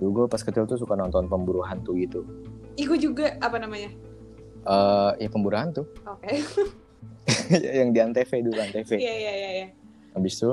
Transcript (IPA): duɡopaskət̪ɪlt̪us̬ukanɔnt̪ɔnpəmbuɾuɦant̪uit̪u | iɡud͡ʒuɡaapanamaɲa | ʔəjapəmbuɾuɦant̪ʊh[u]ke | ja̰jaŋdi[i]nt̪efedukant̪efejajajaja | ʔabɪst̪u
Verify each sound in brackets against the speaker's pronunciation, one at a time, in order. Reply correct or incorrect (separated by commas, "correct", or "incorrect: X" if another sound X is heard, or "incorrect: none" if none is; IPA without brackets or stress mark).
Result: incorrect: o, incorrect: a